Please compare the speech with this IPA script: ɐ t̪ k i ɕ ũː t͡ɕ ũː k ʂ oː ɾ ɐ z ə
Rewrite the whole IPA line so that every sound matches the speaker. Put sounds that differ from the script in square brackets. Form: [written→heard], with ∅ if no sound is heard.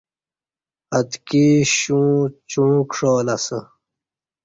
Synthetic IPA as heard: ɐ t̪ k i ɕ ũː t͡ɕ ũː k ʂ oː [ɾ→l] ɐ [z→s] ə